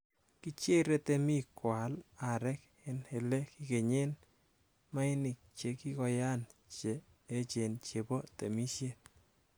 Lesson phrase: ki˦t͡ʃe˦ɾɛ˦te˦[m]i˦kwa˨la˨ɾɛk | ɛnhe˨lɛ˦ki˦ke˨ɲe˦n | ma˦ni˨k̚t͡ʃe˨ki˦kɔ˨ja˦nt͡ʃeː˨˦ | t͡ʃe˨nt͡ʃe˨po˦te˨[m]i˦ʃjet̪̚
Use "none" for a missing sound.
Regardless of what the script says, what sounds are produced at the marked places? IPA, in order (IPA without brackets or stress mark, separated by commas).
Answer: m, m